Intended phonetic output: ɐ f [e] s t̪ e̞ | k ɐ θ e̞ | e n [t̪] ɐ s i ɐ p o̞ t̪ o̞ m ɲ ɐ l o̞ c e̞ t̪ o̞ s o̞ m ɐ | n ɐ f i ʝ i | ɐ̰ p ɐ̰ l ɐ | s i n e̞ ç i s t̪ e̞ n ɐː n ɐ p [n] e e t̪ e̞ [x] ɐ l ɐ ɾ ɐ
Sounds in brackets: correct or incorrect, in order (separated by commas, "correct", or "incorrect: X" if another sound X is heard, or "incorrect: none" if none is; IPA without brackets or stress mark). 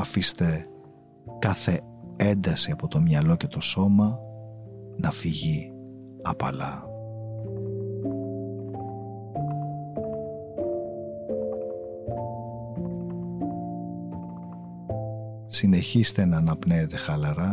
incorrect: i, incorrect: d̪, correct, correct